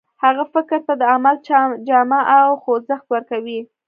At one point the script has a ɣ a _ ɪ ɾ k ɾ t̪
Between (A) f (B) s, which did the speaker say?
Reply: A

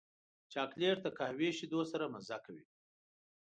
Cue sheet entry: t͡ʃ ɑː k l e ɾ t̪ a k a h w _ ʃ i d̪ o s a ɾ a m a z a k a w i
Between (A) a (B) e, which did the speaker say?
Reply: B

